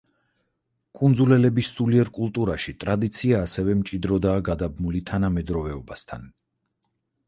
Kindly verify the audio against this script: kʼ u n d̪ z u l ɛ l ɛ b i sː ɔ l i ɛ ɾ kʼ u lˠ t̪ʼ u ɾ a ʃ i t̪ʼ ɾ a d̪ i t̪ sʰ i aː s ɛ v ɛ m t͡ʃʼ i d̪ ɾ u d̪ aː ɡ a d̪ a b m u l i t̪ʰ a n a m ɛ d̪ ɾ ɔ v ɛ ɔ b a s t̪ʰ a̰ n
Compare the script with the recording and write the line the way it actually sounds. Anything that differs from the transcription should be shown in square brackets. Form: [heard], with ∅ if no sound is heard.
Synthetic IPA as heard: kʼ u n d̪ z u l ɛ l ɛ b i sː [u] l i ɛ ɾ kʼ u lˠ t̪ʼ u ɾ a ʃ i t̪ʼ ɾ a d̪ i t̪ sʰ i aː s ɛ v ɛ m t͡ʃʼ i d̪ ɾ [ɔ] d̪ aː ɡ a d̪ a b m u l i t̪ʰ a n a m ɛ d̪ ɾ ɔ v ɛ ɔ b a s t̪ʰ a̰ n